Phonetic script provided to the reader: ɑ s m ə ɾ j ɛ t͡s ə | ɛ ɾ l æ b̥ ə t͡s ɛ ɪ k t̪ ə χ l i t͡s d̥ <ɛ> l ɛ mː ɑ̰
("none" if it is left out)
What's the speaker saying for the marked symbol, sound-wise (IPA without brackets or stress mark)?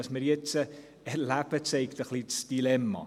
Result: i